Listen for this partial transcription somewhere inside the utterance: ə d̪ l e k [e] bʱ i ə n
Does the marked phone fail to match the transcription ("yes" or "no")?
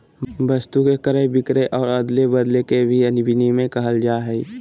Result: no